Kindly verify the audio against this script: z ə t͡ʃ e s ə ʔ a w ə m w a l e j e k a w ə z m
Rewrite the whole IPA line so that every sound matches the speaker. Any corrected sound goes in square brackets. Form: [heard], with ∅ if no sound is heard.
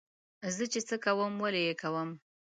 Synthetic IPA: z ə t͡ʃ e [t͡s] ə [k] a w ə m w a l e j e k a w ə [∅] m